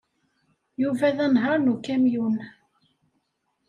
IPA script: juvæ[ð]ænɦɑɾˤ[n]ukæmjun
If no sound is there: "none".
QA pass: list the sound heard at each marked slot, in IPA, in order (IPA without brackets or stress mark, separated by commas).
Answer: ð, n